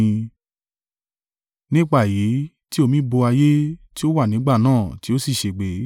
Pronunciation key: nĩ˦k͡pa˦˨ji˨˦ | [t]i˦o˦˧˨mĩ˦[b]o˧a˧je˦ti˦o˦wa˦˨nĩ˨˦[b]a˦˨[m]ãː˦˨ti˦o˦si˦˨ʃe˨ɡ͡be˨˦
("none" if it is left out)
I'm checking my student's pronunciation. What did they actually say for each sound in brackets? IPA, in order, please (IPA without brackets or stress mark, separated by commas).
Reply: t, b, ɡ͡b, n